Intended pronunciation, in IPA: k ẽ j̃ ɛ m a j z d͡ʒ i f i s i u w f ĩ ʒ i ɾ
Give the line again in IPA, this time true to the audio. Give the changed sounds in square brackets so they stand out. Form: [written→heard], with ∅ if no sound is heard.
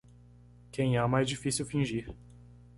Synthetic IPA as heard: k ẽ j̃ ɛ m a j z d͡ʒ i f i s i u w f ĩ ʒ i ɾ